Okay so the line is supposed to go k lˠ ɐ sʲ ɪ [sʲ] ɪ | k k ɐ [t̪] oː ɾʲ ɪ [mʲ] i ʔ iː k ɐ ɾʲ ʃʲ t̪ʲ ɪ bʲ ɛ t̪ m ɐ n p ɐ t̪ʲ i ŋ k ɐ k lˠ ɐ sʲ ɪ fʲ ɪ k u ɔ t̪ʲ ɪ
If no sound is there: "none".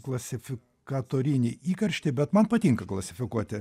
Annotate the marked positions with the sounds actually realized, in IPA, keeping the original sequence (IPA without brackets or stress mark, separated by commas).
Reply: fʲ, t̪, nʲ